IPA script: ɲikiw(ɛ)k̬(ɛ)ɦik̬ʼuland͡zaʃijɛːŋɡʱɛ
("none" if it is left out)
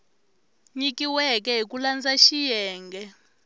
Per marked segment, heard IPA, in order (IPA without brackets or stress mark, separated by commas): ɛ, ɛ